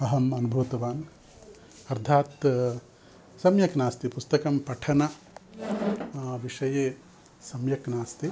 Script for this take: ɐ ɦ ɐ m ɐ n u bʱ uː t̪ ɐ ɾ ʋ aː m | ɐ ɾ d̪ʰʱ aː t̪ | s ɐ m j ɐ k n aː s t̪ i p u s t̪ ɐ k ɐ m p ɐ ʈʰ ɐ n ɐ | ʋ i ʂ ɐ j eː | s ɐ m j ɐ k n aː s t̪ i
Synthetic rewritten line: ɐ ɦ ɐ m ɐ n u bʱ uː t̪ ɐ ʋ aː n | ɐ ɾ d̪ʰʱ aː t̪ | s ɐ m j ɐ k n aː s t̪ i p u s t̪ ɐ k ɐ m p ɐ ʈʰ ɐ n ɐ | ʋ i ʂ ɐ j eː | s ɐ m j ɐ k n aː s t̪ i